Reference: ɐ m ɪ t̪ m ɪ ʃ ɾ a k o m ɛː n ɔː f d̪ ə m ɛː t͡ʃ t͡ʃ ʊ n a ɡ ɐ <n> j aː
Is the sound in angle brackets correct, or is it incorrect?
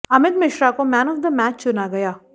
incorrect